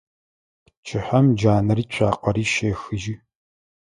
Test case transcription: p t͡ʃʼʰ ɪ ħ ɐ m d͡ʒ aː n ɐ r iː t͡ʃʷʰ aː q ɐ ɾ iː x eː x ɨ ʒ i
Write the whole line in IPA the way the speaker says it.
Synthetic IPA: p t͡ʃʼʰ ɪ ħ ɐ m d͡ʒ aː n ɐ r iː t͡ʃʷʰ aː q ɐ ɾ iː ʃ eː x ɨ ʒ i